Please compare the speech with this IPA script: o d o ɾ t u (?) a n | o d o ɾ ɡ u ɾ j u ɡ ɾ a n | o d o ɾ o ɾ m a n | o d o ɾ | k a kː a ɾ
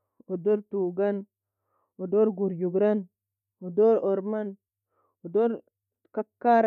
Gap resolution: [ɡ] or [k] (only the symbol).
ɡ